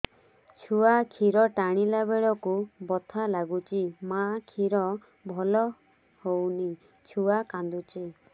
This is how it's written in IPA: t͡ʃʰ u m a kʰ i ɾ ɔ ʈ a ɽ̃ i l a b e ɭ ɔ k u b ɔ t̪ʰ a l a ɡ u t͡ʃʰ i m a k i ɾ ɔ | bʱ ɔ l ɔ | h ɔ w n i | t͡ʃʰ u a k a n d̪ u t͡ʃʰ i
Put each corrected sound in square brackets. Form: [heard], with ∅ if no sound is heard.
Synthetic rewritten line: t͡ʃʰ u [∅] a kʰ i ɾ ɔ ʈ a ɽ̃ i l a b e ɭ ɔ k u b ɔ t̪ʰ a l a ɡ u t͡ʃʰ i m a [kʰ] i ɾ ɔ | bʱ ɔ l ɔ | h [o] w n i | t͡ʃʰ u a k a n d̪ u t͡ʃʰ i